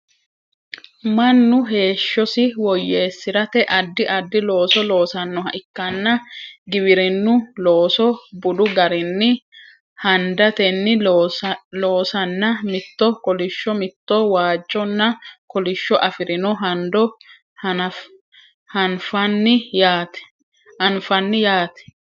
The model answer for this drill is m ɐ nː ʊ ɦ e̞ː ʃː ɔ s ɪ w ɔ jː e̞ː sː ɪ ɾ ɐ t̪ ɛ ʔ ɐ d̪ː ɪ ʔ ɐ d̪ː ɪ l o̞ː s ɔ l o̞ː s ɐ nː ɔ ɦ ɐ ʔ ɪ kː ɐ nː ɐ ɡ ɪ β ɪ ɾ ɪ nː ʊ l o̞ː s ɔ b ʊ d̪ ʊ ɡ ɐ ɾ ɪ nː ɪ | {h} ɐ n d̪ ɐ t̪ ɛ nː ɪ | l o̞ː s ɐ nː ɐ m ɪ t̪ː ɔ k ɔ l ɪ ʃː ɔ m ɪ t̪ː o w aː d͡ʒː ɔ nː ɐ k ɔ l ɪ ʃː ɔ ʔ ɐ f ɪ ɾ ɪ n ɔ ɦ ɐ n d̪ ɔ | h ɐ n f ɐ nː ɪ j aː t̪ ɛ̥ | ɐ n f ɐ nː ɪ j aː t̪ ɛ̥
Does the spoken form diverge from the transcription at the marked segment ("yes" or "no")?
no